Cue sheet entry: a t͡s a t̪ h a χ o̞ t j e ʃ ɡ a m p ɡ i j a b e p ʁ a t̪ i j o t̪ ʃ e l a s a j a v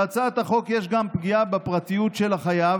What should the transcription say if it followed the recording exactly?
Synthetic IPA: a t͡s a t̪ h a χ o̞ k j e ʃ ɡ a m p ɡ i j a b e p ʁ a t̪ i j u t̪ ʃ e l a χ a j a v